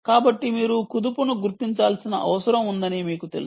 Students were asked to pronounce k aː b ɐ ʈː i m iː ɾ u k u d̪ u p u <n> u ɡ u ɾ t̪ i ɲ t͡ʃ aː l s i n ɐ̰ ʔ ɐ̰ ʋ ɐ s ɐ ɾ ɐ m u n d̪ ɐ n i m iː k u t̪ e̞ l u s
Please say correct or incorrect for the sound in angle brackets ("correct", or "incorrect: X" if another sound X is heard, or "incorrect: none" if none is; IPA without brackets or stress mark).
correct